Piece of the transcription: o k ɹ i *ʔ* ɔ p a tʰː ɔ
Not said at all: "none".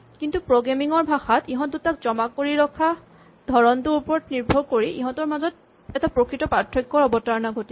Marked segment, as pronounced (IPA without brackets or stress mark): t